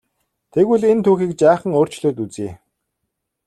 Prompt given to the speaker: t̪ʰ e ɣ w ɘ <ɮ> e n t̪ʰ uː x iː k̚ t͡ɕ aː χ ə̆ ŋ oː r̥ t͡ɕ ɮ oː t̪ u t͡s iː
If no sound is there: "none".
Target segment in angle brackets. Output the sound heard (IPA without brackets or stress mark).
ɮ